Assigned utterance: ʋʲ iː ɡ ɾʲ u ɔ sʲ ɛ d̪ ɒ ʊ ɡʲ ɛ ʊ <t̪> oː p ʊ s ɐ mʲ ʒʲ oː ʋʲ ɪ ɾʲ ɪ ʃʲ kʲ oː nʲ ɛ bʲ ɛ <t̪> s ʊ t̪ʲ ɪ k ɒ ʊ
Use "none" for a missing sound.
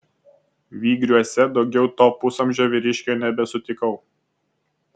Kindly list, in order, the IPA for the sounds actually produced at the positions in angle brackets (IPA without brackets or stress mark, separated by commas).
t̪, none